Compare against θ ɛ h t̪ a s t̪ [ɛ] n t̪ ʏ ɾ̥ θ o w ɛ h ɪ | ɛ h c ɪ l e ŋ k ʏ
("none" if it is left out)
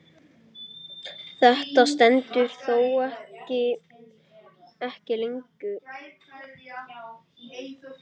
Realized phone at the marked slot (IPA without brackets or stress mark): ɛ